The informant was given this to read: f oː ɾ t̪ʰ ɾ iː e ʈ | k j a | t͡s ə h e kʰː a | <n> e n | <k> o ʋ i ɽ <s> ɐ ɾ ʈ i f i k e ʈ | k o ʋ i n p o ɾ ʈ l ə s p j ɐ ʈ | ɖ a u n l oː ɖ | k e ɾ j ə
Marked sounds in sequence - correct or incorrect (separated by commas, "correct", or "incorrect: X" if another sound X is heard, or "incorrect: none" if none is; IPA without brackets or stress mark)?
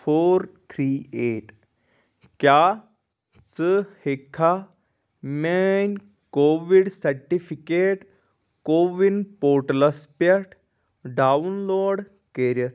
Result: incorrect: m, correct, correct